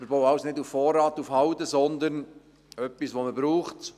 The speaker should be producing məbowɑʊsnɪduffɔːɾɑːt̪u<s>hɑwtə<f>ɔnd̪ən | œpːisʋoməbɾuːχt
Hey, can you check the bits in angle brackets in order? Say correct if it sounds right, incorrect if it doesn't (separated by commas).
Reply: incorrect, incorrect